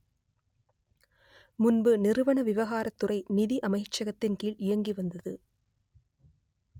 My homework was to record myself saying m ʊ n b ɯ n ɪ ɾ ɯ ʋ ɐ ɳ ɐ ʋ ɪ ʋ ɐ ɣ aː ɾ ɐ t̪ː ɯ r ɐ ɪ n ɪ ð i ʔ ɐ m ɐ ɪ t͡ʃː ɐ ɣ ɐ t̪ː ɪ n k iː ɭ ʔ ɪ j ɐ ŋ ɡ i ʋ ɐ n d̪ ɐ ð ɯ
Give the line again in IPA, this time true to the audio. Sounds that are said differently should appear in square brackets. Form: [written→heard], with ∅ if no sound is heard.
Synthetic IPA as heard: m ʊ n b ɯ n ɪ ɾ ɯ ʋ ɐ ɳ ɐ ʋ ɪ ʋ ɐ ɣ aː ɾ ɐ t̪ː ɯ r ɐ ɪ n ɪ ð i ʔ ɐ m ɐ ɪ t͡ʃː ɐ ɣ ɐ t̪ː ɪ n k iː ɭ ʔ ɪ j ɐ ŋ ɡ i ʋ ɐ n d̪ ɐ ð ɯ